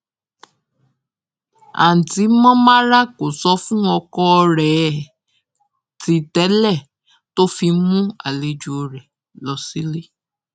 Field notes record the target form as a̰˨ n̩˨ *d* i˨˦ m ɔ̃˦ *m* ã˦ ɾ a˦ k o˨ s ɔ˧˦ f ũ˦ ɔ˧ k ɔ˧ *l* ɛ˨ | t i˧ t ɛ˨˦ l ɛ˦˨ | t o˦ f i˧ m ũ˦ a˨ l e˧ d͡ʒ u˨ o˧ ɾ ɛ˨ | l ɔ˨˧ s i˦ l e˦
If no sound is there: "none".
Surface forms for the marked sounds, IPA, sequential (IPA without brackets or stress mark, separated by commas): t, m, ɾ